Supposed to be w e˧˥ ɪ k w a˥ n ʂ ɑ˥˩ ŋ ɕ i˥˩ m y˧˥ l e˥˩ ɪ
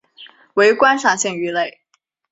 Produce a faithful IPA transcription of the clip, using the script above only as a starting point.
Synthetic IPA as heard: w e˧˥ ɪ k w a˥ n ʂ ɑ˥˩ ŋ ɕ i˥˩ ŋ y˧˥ l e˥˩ ɪ